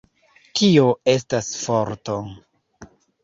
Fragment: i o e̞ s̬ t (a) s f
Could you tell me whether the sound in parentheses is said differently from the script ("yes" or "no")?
no